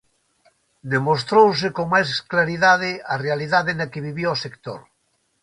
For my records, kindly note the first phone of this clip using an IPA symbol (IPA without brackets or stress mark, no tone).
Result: d̪